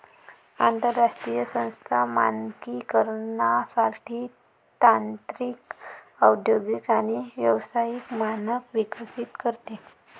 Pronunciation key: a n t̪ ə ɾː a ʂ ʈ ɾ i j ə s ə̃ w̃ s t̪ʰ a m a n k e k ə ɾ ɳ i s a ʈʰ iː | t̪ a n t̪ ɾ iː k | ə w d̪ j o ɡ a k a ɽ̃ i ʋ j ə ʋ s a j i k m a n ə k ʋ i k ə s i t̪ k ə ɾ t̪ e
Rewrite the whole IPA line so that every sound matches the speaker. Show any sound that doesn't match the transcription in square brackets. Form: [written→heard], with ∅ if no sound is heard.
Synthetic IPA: a n t̪ ə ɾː a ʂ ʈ ɾ i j ə s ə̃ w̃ s t̪ʰ a m a n k [e→i] k ə ɾ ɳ [i→a] s a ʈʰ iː | t̪ a n t̪ ɾ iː k | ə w d̪ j o ɡ [a→i] k a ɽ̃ i ʋ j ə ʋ s a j i k m a n ə k ʋ i k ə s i t̪ k ə ɾ t̪ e